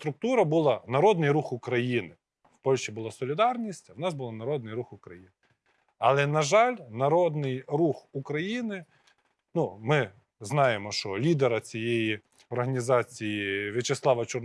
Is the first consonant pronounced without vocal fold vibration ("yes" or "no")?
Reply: yes